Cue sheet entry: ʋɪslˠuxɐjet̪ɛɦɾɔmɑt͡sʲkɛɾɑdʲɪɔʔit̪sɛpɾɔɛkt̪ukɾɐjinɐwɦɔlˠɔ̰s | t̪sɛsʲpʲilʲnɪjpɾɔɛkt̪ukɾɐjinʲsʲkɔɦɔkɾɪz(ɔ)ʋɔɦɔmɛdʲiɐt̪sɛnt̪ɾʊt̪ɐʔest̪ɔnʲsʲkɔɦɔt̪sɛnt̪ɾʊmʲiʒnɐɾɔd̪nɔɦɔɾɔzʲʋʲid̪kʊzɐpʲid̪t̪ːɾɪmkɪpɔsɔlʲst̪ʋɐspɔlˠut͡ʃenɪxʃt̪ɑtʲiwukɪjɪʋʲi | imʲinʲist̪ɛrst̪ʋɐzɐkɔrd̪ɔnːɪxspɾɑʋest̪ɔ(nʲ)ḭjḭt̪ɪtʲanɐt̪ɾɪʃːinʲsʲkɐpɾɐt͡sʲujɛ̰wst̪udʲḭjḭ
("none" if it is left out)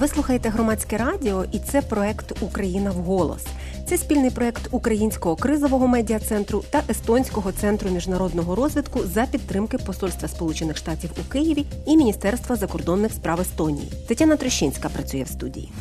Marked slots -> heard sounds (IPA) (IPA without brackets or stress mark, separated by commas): ɔ, nʲ